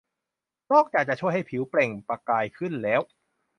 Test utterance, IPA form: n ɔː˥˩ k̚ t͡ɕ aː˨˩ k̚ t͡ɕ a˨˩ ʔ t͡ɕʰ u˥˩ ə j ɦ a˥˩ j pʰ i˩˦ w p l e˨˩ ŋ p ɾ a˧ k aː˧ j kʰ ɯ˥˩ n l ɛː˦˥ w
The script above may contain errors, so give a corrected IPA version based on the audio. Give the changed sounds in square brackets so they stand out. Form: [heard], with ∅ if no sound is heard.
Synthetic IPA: n ɔː˥˩ k̚ t͡ɕ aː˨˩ k̚ t͡ɕ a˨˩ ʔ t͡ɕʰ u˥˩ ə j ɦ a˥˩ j pʰ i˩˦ w p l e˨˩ ŋ p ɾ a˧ k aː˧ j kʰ ɯ˥˩ n l ɛː˦˥ w